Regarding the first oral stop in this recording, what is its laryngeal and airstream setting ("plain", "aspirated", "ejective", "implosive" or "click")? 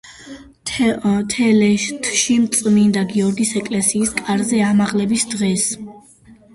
aspirated